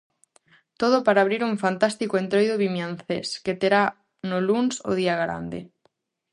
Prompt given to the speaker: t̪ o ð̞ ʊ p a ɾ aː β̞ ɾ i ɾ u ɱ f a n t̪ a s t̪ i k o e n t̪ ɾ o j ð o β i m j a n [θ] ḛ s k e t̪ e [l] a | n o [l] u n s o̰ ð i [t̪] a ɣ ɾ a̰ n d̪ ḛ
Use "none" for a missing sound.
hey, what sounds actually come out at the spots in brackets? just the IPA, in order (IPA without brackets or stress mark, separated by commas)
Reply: θ, ɾ, l, none